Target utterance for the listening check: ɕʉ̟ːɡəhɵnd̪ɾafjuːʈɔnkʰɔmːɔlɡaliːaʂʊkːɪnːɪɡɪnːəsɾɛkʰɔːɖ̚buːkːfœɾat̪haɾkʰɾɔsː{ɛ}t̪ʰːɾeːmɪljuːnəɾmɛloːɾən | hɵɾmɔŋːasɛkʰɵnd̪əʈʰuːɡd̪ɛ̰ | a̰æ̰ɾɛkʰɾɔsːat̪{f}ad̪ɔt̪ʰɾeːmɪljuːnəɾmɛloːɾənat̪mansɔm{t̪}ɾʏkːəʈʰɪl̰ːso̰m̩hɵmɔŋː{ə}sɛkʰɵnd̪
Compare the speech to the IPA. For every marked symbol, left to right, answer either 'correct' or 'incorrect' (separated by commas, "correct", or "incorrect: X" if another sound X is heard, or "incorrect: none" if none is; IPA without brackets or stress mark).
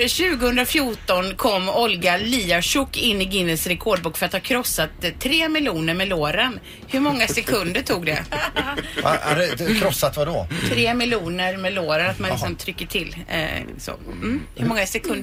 incorrect: a, incorrect: v, incorrect: t̪ʰ, incorrect: a